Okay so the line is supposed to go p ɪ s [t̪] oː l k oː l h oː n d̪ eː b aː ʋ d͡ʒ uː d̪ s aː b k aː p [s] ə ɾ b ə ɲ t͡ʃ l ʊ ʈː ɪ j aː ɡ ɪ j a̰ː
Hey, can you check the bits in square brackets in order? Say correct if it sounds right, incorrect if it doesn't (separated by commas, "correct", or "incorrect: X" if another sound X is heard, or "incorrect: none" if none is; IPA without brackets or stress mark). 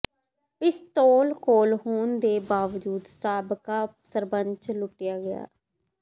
correct, correct